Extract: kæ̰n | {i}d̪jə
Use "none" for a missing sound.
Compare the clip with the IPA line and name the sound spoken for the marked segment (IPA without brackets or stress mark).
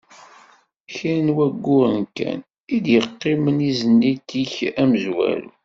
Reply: i